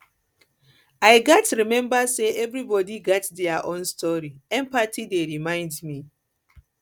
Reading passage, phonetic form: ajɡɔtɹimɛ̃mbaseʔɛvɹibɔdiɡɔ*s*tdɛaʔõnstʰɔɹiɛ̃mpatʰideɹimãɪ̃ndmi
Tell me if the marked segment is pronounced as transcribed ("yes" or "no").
no